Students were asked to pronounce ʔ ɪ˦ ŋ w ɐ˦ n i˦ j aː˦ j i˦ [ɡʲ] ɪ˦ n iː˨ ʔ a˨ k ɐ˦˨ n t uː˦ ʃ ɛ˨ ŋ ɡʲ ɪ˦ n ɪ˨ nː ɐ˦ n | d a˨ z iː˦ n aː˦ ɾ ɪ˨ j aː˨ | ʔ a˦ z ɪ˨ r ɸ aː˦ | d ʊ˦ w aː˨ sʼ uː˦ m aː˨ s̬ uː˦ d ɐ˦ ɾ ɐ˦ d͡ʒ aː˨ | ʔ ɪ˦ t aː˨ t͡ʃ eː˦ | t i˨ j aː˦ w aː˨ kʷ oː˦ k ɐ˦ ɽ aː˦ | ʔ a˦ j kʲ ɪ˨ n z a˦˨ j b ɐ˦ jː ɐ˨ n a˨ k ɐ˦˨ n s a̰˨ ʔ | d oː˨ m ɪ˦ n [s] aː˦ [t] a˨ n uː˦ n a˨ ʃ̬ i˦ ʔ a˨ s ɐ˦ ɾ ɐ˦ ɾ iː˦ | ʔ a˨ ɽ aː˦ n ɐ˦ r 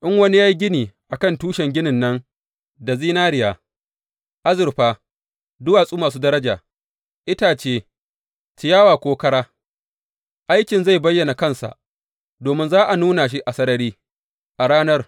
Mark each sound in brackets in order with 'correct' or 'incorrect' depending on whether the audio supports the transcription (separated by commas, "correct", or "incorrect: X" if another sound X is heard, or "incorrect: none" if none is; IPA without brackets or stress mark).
correct, incorrect: z, incorrect: ʔ